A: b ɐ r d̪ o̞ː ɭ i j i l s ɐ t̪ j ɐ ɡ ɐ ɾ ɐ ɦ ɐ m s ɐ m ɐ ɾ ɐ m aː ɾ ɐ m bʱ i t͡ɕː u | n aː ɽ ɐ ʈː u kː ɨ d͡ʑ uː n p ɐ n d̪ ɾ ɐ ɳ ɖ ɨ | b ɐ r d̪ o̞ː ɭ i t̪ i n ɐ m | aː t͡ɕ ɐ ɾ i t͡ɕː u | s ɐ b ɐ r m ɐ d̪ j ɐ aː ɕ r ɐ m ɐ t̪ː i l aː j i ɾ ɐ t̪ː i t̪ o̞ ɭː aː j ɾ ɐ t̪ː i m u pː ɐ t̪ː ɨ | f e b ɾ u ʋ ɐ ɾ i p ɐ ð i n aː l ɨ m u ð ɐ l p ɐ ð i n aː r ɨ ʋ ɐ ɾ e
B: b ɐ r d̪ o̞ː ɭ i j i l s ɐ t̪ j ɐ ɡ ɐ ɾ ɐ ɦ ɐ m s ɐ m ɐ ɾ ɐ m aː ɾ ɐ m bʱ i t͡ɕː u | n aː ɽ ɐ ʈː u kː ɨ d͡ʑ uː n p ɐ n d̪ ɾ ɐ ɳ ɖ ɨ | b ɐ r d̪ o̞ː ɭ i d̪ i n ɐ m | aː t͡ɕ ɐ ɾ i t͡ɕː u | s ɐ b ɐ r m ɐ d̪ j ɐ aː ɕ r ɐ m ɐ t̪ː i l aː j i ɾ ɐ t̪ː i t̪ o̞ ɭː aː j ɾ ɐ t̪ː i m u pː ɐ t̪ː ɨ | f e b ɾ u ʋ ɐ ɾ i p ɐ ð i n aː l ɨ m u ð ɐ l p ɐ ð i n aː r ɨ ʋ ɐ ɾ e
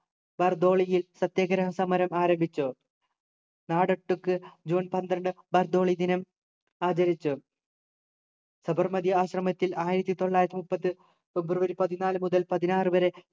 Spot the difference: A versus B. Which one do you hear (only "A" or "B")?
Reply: B